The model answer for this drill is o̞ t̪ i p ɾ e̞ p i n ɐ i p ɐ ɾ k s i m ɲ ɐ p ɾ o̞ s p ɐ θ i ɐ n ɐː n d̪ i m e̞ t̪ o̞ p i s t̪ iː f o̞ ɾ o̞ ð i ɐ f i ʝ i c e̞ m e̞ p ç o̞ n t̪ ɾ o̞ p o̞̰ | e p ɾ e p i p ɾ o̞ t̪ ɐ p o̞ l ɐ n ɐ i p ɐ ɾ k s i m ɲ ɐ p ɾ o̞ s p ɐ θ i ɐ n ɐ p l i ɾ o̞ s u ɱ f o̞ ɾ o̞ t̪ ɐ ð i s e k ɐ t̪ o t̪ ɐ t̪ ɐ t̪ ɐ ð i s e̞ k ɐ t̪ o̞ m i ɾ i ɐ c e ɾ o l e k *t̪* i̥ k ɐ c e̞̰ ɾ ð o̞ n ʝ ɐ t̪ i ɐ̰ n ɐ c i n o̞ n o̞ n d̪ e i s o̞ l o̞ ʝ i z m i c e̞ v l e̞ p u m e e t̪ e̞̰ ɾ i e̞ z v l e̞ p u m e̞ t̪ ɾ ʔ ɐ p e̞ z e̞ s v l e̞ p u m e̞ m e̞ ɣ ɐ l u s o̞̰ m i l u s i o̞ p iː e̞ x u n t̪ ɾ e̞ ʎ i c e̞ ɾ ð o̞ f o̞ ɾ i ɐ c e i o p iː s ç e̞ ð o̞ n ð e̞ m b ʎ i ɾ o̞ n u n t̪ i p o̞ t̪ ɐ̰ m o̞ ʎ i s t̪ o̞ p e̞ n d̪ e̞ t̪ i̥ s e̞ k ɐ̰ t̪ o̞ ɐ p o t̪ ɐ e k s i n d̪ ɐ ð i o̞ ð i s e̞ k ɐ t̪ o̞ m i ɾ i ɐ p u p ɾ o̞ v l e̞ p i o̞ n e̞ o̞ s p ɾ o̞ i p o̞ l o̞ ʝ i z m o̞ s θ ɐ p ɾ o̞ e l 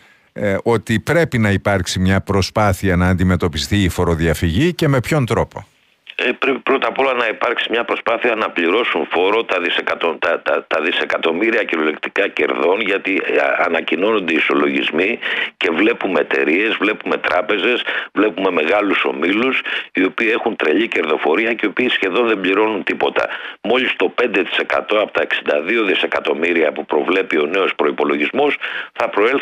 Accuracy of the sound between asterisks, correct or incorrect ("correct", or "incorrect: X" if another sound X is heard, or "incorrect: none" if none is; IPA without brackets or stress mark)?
correct